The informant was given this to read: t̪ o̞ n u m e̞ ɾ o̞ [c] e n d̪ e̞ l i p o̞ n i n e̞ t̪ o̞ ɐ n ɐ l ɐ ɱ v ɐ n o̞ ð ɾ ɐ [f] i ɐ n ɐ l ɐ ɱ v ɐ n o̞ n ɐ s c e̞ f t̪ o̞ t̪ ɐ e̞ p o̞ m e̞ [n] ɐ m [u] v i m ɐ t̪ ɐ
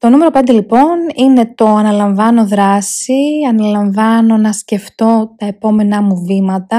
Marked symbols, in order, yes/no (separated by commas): no, no, yes, yes